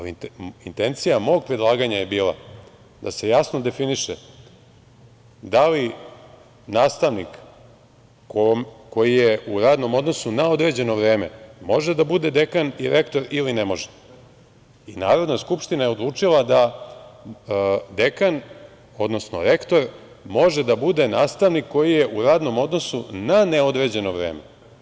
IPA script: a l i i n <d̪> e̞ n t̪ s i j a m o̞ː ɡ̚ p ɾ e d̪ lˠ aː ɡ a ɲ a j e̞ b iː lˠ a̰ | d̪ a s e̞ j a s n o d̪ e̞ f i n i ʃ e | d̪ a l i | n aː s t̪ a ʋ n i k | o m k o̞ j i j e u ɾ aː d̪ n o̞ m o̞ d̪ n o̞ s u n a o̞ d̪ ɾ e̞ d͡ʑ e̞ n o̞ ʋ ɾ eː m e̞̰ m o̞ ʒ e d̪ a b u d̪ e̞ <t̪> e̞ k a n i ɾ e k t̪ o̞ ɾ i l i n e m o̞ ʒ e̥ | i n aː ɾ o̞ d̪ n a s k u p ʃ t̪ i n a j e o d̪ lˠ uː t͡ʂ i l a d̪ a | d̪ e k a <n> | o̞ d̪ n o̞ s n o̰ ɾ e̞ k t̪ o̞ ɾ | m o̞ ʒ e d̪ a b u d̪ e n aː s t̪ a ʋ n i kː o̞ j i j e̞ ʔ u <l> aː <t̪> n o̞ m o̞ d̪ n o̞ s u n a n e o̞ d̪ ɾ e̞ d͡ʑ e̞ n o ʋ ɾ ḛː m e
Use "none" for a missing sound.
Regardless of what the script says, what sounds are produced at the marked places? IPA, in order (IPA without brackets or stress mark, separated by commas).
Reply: t̪, d̪, n, ɾ, d̪